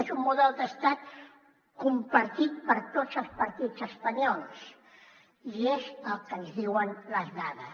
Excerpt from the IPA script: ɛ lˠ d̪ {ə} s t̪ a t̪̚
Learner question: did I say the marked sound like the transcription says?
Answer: yes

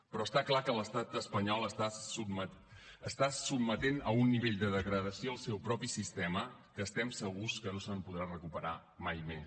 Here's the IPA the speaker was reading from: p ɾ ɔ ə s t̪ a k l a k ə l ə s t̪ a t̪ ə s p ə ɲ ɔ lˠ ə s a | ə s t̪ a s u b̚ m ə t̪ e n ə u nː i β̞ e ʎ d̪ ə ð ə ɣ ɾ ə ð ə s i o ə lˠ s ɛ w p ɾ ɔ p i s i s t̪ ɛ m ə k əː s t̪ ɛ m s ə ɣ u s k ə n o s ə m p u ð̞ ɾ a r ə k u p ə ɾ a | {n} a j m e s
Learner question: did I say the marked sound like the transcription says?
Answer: no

